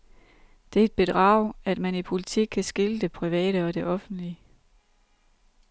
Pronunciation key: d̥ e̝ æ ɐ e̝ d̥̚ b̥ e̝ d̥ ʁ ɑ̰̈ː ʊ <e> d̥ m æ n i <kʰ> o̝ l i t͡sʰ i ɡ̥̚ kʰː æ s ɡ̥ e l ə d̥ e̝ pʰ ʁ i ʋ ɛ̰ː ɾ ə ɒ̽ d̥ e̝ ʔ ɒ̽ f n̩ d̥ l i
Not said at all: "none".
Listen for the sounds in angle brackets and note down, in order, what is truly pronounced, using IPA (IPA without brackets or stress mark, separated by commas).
æ, pʰ